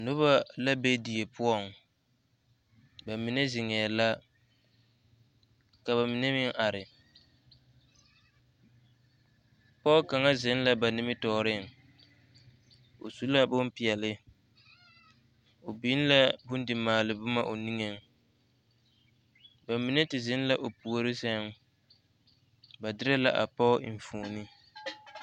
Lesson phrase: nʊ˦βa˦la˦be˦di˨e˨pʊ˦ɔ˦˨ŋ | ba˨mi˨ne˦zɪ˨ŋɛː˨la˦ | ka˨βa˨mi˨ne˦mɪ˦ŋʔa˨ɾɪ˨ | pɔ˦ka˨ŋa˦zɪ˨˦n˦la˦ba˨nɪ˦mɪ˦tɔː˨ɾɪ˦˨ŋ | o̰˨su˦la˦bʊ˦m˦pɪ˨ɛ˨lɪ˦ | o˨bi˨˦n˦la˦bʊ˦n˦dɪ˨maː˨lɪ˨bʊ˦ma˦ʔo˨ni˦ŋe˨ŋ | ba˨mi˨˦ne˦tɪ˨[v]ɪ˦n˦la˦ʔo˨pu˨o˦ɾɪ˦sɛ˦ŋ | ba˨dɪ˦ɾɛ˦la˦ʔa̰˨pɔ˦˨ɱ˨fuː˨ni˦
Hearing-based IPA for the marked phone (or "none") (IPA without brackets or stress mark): z